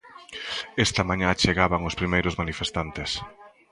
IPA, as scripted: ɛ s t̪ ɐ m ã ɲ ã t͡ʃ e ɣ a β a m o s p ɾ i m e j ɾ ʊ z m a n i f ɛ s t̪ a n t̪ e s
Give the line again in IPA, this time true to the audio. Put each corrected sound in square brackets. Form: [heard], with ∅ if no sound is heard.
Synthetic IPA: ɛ s t̪ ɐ m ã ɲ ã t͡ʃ e ɣ a β a [ŋ] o s p ɾ i m e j ɾ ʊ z m a n i f [e] s t̪ a n t̪ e s